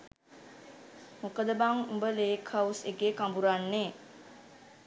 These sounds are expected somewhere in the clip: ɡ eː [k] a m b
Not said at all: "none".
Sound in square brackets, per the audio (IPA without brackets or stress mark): k